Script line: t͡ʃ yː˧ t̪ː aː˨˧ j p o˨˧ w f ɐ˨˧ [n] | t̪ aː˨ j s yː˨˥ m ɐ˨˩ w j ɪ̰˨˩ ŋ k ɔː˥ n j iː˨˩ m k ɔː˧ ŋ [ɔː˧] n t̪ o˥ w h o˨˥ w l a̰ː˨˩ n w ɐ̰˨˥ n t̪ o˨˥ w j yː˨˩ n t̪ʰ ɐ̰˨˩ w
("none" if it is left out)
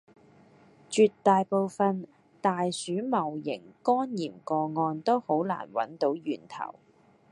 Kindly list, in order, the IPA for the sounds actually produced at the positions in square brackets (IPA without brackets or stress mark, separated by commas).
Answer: n, ɔː˧